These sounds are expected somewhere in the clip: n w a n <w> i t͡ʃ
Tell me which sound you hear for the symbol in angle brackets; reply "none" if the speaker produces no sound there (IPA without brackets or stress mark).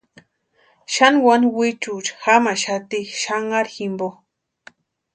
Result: w